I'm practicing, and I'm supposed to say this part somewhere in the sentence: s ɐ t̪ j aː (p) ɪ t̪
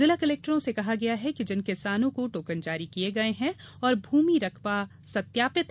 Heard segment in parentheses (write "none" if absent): p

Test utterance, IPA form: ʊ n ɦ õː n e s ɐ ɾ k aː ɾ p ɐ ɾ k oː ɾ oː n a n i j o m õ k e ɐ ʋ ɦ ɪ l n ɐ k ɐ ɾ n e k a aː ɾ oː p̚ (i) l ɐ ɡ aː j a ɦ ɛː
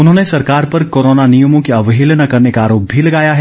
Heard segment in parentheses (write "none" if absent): i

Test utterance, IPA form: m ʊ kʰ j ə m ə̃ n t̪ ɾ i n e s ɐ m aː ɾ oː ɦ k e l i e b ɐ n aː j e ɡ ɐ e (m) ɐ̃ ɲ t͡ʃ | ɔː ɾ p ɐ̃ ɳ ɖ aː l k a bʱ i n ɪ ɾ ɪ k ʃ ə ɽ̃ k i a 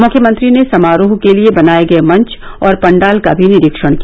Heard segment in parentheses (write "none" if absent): m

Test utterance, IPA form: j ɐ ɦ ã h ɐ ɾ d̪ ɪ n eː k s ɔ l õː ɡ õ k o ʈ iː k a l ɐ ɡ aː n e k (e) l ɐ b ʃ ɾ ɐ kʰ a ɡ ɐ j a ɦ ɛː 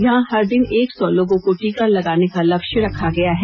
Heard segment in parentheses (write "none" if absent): a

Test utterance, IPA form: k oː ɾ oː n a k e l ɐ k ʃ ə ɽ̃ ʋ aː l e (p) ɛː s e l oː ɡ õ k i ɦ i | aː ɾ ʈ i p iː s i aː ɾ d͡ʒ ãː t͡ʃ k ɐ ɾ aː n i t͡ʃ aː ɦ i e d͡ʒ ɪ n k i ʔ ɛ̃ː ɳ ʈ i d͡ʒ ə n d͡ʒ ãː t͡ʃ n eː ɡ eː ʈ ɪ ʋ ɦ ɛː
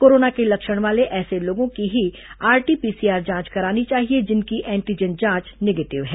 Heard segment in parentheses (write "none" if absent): ʔ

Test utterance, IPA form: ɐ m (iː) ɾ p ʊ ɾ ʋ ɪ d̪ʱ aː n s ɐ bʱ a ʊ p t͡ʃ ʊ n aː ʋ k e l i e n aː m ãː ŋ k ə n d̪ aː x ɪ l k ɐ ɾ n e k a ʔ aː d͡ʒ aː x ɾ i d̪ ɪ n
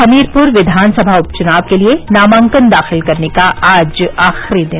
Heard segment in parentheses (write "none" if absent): iː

